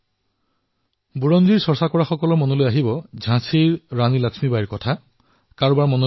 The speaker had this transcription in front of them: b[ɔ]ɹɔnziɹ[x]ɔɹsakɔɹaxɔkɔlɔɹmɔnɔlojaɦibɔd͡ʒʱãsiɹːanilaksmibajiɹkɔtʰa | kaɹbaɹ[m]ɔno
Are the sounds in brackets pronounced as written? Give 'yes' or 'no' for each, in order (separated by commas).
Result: no, no, yes